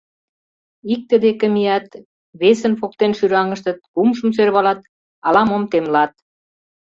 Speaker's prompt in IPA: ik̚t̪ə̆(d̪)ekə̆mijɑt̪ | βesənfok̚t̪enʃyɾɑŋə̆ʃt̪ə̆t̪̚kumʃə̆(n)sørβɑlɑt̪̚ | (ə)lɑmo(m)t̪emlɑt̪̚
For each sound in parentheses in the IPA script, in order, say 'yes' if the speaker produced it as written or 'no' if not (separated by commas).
yes, no, no, yes